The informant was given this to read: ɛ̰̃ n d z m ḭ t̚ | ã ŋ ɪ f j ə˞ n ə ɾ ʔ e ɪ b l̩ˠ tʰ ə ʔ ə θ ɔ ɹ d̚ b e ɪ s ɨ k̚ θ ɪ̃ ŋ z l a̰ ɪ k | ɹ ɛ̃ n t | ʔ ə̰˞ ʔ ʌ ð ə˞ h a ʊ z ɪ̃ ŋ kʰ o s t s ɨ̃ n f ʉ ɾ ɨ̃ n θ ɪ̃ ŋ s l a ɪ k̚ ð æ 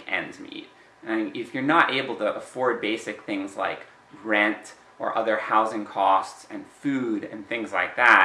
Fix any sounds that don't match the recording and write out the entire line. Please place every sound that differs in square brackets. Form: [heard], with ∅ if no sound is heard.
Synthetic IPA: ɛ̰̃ n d z m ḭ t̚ | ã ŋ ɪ f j ə˞ n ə ɾ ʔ e ɪ b l̩ˠ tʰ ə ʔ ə [f] ɔ ɹ d̚ b e ɪ s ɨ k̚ θ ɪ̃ ŋ z l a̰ ɪ k | ɹ ɛ̃ n t | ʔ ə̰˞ ʔ ʌ ð ə˞ h a ʊ z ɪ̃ ŋ kʰ [ɔ] s t s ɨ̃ n f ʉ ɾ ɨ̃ n θ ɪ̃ ŋ [z] l a ɪ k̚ ð æ